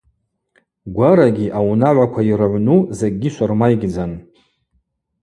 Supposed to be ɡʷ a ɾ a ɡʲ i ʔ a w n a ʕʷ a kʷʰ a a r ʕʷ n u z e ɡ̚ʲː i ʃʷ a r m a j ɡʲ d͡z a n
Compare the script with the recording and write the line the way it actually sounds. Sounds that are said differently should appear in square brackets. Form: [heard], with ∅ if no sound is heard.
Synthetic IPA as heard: ɡʷ a ɾ a ɡʲ i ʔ a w n a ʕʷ a kʷʰ a [i] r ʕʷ n u z e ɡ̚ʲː i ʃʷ a r m a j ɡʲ d͡z a n